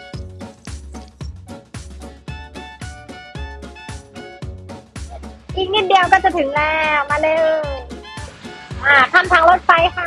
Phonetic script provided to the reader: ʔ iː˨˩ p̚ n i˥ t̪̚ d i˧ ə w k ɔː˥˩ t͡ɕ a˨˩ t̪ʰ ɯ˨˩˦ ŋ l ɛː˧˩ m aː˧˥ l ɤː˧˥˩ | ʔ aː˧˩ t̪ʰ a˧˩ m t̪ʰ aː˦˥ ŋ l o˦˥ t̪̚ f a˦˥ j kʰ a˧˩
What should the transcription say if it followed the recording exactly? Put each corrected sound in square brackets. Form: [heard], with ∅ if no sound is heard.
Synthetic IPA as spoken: ʔ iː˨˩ [k̚] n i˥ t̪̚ d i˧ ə w k ɔː˥˩ t͡ɕ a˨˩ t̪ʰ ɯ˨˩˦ ŋ l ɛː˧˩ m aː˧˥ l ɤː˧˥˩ | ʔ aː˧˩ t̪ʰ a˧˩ m t̪ʰ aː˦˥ ŋ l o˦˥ t̪̚ f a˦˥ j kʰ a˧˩